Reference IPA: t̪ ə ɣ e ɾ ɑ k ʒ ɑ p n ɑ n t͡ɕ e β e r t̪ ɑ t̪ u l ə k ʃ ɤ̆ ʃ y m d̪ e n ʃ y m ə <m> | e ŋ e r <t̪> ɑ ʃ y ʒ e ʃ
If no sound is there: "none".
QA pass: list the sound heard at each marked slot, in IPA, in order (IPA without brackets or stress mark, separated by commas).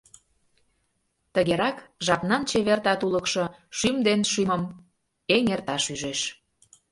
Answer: m, t̪